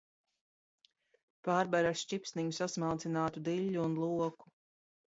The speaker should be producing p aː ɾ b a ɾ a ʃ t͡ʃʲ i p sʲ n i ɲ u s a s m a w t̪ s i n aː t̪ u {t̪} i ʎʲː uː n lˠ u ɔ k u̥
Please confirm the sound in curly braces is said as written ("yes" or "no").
no